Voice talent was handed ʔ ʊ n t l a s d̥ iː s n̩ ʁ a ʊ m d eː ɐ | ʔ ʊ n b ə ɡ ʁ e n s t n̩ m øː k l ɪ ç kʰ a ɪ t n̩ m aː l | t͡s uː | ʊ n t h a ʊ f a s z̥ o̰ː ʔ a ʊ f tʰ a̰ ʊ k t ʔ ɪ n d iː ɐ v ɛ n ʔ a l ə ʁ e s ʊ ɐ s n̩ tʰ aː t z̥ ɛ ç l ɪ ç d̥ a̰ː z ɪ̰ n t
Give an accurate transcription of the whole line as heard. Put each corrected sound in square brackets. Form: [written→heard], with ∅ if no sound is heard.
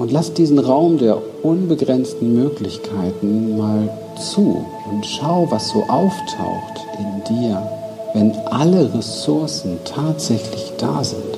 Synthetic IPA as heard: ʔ ʊ n t l a s d̥ iː [s→z] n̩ ʁ a ʊ m d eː ɐ | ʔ ʊ n b ə ɡ ʁ [e→ɛ] n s t n̩ m øː k l ɪ ç kʰ a ɪ t n̩ m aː l | t͡s uː | ʊ n t [h→ʃ] a ʊ [f→v] a s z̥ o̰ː ʔ a ʊ f tʰ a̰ ʊ [k→x] t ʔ ɪ n d iː ɐ v ɛ n ʔ a l ə ʁ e s ʊ ɐ s n̩ tʰ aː t z̥ ɛ ç l ɪ ç d̥ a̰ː z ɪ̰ n t